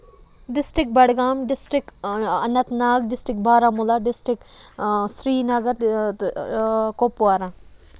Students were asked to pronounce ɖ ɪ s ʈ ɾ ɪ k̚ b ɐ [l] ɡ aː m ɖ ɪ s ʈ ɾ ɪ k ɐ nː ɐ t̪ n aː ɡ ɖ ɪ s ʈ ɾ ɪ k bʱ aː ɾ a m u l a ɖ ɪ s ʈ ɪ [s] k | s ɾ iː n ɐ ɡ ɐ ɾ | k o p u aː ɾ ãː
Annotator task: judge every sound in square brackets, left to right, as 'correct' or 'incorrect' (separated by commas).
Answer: incorrect, incorrect